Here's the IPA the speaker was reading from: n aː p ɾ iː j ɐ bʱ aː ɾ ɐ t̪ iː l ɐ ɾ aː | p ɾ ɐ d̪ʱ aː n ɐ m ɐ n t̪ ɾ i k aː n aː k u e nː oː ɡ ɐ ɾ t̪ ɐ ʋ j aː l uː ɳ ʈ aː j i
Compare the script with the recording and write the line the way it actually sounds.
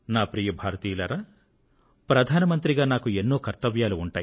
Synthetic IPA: n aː p ɾ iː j ɐ bʱ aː ɾ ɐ t̪ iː l ɐ ɾ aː | p ɾ ɐ d̪ʱ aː n ɐ m ɐ n t̪ ɾ i ɡ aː n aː k u e nː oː k ɐ ɾ t̪ ɐ ʋ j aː l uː ɳ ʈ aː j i